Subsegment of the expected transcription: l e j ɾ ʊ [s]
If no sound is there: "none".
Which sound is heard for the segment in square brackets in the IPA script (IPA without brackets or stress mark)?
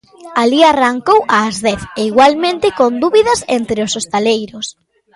s